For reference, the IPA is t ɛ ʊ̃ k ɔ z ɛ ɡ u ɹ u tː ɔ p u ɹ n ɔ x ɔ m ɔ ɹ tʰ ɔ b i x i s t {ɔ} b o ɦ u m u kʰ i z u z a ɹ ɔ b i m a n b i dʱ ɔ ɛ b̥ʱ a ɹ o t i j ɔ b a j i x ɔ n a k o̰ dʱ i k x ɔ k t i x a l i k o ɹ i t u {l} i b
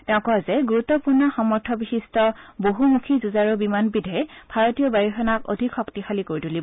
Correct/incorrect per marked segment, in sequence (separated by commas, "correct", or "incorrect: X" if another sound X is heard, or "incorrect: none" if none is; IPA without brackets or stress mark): correct, correct